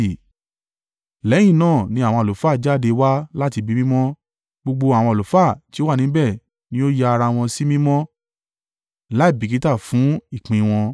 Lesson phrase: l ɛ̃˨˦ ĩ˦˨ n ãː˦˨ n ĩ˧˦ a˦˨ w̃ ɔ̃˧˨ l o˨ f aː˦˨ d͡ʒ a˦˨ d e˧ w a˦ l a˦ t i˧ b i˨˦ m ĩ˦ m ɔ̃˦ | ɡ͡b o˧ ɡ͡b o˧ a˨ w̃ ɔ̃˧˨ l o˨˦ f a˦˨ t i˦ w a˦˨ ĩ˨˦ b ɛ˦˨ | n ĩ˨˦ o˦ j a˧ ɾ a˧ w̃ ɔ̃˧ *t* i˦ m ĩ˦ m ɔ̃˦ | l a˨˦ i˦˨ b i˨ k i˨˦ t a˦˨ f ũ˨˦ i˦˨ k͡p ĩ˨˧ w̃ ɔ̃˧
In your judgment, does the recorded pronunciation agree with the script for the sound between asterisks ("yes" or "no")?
no